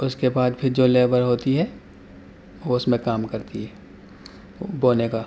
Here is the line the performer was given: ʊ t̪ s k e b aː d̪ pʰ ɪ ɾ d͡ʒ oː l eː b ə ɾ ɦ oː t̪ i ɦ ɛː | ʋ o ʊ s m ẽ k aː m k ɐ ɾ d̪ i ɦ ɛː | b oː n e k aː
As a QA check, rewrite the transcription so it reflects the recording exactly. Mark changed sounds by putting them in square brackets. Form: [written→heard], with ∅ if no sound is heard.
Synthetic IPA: ʊ [t̪→∅] s k e b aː d̪ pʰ ɪ ɾ d͡ʒ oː l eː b ə ɾ ɦ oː t̪ i ɦ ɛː | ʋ o ʊ s m ẽ k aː m k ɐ ɾ [d̪→t̪] i ɦ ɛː | b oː n e k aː

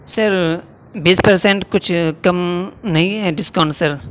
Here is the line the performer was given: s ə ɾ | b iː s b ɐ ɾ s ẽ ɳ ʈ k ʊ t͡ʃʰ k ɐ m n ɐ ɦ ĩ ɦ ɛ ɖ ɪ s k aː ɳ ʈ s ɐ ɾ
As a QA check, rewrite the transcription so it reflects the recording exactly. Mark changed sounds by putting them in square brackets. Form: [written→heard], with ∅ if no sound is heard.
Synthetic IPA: s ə ɾ | b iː s [b→p] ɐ ɾ s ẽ ɳ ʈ k ʊ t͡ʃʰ k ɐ m n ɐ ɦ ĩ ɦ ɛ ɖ ɪ s k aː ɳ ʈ s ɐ ɾ

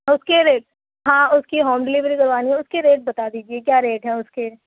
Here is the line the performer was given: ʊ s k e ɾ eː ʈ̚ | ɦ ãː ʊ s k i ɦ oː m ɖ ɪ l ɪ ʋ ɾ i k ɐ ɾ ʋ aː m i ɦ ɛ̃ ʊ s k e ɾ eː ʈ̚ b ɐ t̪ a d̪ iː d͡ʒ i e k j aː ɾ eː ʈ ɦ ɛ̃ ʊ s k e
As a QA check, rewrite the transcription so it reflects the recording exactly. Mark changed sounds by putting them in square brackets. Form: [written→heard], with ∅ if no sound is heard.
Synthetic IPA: ʊ s k e ɾ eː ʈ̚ | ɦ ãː ʊ s k i ɦ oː m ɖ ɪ l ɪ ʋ ɾ i k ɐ ɾ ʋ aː [m→n] i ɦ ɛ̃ ʊ s k e ɾ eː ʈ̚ b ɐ t̪ a d̪ iː d͡ʒ i e k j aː ɾ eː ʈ ɦ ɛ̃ ʊ s k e

